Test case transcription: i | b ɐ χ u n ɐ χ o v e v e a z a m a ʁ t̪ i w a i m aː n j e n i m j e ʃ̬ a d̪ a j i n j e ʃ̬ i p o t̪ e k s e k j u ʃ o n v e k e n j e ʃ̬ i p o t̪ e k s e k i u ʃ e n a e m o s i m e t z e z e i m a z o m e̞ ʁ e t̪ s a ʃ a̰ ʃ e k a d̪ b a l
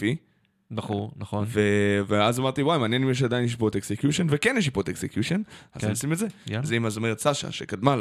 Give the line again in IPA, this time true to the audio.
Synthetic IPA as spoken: i | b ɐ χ u n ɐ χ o v e v e a z a m a ʁ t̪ i w a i m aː n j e n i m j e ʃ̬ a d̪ a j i n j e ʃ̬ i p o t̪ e k s e k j u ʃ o n v e k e n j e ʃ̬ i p o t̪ e k s e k j u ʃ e n a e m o s i m e t z e z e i m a z o m e̞ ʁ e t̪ s a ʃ a̰ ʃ e k a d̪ m a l